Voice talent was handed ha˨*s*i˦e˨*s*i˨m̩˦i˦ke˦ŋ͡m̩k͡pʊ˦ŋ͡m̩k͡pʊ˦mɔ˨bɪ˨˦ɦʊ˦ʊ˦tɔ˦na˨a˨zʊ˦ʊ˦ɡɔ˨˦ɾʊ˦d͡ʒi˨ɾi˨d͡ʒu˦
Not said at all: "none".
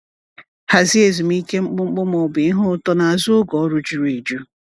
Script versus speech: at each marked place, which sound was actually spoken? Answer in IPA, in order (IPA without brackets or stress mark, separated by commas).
z, z